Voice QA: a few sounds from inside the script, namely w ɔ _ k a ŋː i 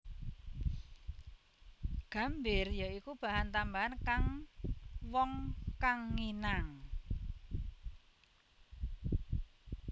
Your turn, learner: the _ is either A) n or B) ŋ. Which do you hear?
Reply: B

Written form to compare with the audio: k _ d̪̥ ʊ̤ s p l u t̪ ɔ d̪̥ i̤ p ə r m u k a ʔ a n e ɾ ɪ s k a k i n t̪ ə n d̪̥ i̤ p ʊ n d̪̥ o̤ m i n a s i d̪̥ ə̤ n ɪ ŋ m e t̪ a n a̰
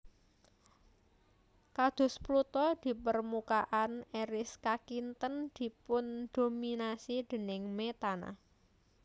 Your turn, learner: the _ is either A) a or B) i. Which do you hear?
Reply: A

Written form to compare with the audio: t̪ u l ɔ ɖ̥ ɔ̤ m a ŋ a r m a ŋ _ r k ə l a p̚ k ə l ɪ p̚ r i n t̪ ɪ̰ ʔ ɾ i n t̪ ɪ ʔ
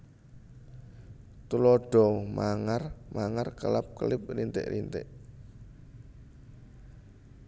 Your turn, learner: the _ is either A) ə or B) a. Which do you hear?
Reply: B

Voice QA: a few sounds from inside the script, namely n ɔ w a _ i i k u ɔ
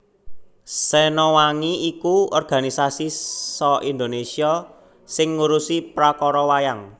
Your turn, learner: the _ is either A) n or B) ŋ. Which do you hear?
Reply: B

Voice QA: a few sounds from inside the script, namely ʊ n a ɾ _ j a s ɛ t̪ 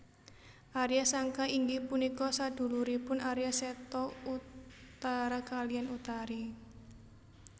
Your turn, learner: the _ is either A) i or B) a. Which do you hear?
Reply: A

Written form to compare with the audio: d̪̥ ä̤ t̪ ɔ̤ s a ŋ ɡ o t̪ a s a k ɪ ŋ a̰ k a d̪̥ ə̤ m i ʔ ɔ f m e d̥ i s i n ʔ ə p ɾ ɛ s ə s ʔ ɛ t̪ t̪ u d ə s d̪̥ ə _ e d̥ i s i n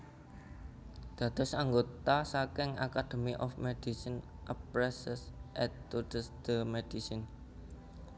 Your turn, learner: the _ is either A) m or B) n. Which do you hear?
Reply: A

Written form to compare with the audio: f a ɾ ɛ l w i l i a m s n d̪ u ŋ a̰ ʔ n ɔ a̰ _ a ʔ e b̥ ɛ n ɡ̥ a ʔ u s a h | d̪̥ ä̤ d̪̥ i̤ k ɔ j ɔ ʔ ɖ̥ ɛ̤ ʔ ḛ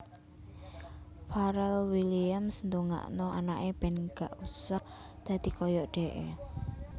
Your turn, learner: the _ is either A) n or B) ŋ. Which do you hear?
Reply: A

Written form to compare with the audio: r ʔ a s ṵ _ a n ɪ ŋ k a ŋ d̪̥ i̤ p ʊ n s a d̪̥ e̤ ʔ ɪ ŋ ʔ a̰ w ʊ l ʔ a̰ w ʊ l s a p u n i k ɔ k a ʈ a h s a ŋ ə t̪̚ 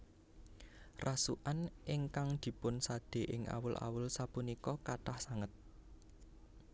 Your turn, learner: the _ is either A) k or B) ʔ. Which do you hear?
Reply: B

